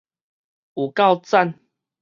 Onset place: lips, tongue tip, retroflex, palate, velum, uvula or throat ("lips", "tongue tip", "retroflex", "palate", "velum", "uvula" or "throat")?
velum